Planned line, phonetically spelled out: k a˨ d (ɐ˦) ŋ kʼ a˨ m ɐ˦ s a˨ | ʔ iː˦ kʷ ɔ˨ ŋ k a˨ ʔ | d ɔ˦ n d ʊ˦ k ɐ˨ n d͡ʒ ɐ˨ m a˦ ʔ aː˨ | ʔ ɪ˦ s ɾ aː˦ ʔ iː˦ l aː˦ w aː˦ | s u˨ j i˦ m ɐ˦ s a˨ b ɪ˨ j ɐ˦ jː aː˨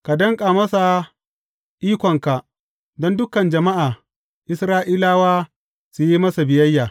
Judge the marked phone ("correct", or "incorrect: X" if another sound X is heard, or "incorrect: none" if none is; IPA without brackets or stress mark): correct